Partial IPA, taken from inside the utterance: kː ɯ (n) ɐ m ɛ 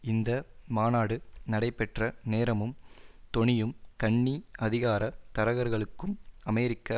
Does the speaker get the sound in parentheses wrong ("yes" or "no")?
yes